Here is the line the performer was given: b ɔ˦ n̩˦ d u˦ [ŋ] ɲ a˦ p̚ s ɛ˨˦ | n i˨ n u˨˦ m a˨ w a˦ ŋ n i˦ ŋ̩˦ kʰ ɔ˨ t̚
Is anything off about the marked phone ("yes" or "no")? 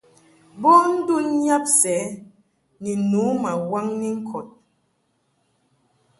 yes